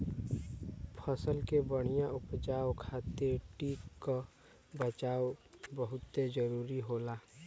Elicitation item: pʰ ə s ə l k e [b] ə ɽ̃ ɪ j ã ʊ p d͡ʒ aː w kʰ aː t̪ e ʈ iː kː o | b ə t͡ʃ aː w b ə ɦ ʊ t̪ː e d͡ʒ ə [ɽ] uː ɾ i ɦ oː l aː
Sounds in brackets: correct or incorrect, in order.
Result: correct, incorrect

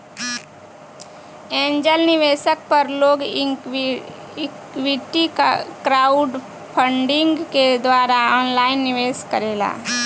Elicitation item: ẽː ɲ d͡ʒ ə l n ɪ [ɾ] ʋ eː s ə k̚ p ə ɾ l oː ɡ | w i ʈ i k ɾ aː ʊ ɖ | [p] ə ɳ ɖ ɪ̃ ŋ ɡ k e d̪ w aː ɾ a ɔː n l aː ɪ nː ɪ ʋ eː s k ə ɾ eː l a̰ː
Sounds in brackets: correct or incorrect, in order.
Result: incorrect, incorrect

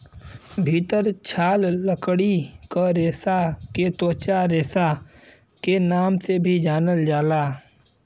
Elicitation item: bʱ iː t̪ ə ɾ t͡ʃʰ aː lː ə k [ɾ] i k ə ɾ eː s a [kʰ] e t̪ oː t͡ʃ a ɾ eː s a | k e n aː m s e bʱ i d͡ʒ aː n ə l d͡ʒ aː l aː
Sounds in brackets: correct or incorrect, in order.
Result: incorrect, incorrect

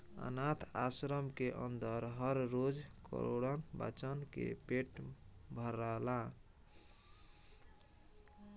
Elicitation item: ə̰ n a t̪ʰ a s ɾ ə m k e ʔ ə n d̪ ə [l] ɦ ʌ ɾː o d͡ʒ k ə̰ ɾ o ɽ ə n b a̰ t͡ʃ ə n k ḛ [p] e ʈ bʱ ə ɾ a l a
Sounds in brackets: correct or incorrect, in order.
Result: incorrect, correct

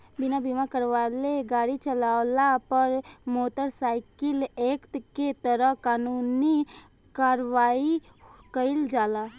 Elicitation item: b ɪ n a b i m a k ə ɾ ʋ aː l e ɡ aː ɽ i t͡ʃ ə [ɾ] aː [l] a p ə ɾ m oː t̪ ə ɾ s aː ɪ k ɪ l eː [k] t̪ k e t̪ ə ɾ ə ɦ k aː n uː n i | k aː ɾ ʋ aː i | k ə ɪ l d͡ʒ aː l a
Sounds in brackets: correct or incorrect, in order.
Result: incorrect, correct, correct

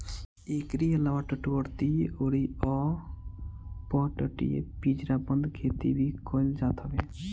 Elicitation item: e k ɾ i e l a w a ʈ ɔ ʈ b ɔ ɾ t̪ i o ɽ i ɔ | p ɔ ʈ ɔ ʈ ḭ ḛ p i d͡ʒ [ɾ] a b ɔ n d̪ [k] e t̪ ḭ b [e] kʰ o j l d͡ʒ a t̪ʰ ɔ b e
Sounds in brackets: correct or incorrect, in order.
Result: correct, incorrect, incorrect

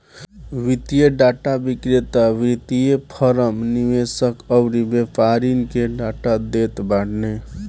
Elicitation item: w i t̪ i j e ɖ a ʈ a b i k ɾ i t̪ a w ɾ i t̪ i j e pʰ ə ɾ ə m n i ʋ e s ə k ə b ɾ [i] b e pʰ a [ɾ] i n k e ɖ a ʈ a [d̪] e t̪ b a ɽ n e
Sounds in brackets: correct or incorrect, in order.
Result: correct, correct, correct

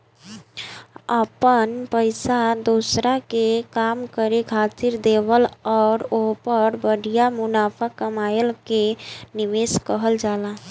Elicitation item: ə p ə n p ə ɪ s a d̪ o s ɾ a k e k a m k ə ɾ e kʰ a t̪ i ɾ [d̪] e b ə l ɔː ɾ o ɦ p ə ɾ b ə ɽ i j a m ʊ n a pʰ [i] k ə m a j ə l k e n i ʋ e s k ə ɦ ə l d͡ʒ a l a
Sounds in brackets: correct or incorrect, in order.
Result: correct, incorrect

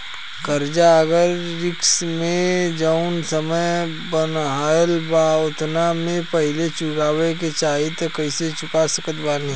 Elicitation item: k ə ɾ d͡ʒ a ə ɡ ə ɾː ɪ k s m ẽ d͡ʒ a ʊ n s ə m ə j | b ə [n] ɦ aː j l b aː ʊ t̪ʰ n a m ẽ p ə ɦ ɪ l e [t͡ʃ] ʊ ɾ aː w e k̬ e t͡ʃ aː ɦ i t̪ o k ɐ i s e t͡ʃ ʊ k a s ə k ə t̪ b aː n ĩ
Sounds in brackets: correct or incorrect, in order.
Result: correct, correct

